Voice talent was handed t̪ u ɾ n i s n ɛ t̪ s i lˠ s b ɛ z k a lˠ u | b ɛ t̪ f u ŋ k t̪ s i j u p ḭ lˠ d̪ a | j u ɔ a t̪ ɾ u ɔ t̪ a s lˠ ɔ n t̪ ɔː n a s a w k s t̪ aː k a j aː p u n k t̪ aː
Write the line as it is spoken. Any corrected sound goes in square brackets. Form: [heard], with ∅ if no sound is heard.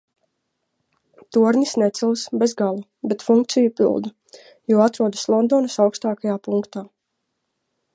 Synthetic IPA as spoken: t̪ u ɾ n i s n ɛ t̪ s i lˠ s b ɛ z [ɡ] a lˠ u | b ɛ t̪ f u ŋ k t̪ s i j u p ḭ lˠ d̪ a | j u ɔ a t̪ ɾ u ɔ [d̪] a s lˠ ɔ n [d̪] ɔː n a s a w k s t̪ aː k a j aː p u [ŋ] k t̪ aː